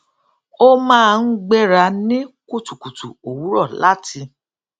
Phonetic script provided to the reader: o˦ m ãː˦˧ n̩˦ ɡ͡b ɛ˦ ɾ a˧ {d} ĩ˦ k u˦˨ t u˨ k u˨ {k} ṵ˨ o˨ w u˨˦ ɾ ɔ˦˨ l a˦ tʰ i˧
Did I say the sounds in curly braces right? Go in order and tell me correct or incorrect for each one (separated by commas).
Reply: incorrect, incorrect